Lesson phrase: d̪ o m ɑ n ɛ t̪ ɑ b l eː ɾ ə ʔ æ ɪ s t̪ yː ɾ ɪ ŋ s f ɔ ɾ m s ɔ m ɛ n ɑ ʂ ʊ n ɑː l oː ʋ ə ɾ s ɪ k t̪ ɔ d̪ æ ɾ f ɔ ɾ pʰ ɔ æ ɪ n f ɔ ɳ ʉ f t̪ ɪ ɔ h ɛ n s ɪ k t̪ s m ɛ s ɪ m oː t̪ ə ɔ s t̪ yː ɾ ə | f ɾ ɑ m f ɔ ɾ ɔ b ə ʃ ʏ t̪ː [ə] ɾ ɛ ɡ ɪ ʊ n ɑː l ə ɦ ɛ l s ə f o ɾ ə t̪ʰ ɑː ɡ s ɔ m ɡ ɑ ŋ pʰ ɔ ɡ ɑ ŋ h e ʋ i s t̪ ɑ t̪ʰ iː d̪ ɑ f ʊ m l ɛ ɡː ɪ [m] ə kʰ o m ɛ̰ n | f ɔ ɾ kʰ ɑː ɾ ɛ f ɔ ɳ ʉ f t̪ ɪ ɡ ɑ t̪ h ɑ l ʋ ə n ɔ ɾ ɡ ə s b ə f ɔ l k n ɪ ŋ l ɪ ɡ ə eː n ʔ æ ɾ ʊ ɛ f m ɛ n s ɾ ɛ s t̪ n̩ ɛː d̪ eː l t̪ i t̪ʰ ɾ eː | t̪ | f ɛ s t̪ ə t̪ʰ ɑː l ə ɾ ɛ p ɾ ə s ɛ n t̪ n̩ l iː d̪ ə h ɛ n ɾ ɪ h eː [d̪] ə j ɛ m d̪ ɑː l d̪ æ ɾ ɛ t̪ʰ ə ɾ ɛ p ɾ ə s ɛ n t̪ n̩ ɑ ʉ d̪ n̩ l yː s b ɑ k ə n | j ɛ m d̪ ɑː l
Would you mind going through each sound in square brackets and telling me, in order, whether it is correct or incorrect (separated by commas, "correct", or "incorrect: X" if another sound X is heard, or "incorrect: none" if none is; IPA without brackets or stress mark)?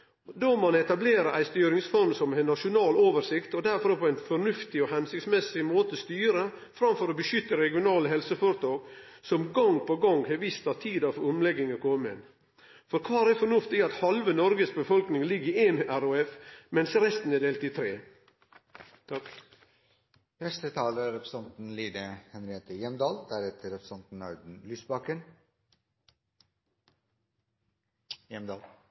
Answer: correct, incorrect: ŋ, incorrect: t̪